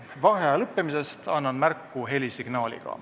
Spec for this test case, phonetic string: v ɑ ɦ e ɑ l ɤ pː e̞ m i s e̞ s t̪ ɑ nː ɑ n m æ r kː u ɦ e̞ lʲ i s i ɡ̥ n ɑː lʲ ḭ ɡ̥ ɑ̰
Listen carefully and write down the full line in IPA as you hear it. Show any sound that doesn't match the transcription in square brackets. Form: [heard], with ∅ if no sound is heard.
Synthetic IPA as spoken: v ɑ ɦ e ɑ l ɤ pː e̞ m i s e̞ s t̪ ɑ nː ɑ n m æ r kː u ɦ e̞ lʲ i s i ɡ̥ n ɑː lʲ ḭ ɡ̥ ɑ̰